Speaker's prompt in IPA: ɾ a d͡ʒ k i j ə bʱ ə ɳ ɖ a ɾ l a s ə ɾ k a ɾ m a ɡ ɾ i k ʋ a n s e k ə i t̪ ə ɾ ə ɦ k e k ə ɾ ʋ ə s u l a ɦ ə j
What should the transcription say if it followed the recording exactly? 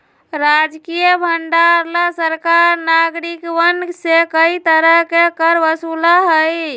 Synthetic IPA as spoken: ɾ a d͡ʒ k i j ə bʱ ə ɳ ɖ a ɾ l a s ə ɾ k a ɾ n a ɡ ɾ i k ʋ ə n s e k ə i t̪ ə ɾ ə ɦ k e k ə ɾ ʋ ə s u l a ɦ ə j